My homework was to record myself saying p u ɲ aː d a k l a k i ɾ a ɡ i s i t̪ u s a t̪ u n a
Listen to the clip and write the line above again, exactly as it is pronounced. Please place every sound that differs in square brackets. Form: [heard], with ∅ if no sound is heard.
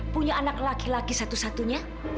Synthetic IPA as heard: p u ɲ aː [n] a k l a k i [l] a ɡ i s [a] t̪ u s a t̪ u [ɲ] a